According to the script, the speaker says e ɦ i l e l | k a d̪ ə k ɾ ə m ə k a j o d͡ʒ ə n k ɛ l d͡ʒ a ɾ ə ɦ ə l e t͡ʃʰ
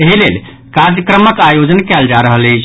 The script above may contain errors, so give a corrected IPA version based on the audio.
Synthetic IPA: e ɦ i l e l | k a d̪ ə k ɾ ə m ə k a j o d͡ʒ ə n k ɛ l d͡ʒ a ɾ ə ɦ ə l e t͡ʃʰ